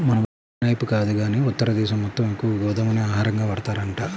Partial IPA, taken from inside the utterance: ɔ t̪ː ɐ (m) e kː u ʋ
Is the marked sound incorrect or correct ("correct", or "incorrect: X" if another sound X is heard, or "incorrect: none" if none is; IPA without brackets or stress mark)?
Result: correct